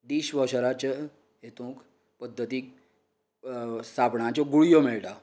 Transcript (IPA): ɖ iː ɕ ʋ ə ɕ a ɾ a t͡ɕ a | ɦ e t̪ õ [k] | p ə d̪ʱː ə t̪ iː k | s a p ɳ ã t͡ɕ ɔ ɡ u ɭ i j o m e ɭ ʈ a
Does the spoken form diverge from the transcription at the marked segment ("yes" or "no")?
no